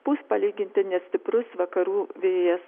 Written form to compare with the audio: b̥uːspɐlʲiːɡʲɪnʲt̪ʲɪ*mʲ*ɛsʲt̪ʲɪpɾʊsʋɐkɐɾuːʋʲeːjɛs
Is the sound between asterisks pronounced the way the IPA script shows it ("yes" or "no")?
no